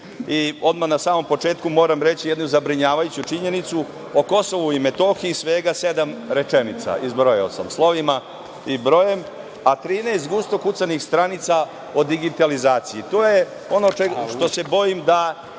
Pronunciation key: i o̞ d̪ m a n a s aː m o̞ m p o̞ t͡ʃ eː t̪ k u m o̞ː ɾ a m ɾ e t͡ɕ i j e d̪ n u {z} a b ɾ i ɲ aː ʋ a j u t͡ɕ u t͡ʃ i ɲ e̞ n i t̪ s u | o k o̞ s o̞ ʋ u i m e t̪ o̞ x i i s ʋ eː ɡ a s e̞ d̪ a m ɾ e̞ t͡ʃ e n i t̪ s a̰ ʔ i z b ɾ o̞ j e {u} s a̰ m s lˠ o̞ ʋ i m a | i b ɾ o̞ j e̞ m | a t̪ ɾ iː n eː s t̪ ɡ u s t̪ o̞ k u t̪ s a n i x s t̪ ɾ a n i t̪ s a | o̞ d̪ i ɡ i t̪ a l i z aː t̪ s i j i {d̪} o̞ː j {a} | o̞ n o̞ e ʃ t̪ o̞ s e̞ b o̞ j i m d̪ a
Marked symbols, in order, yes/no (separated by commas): yes, no, no, no